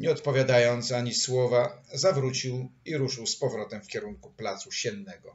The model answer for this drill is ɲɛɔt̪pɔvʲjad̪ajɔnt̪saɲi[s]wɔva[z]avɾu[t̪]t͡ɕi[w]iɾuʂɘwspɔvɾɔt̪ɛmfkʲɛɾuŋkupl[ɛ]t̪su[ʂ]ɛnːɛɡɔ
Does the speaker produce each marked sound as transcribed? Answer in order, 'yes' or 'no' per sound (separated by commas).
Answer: yes, yes, no, yes, no, no